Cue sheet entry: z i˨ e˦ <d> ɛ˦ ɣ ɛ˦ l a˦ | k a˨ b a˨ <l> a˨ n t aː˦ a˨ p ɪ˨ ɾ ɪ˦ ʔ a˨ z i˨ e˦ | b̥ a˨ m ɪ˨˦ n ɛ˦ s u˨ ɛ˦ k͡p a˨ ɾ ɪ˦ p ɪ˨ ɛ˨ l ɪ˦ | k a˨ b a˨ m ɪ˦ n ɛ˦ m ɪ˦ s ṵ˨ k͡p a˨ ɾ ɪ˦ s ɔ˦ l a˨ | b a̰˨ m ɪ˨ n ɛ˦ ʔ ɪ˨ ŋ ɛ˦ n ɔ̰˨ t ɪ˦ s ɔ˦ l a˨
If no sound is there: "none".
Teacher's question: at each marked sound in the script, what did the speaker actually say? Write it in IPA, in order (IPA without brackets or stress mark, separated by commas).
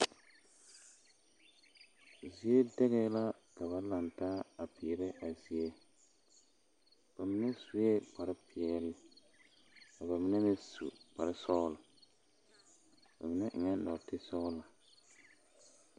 d, l